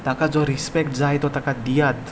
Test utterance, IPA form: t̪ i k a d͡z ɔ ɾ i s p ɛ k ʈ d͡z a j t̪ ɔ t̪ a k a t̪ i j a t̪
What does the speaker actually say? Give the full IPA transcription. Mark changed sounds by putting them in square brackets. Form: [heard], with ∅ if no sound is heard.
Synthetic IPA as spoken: t̪ [a] k a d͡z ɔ ɾ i s p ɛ k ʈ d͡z a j t̪ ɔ t̪ a k a [d̪] i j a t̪